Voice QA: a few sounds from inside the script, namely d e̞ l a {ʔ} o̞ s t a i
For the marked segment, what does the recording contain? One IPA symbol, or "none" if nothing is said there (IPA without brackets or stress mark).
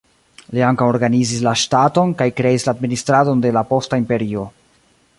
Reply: p